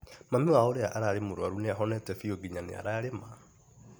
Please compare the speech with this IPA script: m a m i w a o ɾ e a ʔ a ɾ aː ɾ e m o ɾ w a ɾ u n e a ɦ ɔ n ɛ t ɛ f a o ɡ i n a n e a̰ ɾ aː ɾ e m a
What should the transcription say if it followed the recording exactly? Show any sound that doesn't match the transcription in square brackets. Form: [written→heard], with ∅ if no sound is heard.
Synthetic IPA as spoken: m a m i w a o ɾ e a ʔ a ɾ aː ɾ e m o ɾ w a ɾ u n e a ɦ ɔ n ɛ t ɛ f [a→i] o ɡ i [n→ɲ] a n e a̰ ɾ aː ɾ e m a